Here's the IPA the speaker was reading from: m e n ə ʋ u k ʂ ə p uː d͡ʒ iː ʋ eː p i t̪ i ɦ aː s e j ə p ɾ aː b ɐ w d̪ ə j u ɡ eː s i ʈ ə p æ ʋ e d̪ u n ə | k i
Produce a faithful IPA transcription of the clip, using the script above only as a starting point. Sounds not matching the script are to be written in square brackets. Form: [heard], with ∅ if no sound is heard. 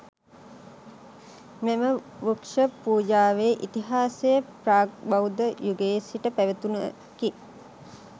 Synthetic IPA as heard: m e [m] ə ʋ u k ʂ ə p uː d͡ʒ [aː] ʋ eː [ʔ] i t̪ i ɦ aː s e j ə p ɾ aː b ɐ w d̪ ə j u ɡ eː s i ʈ ə p æ ʋ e [t̪] u n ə | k i